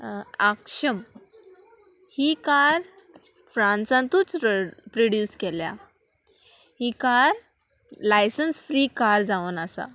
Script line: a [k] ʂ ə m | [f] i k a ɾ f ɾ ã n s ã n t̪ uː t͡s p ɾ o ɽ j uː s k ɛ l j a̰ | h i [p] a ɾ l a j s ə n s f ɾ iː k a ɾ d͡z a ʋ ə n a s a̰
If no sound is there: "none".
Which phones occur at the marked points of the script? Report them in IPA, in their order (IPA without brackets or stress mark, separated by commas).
k, h, k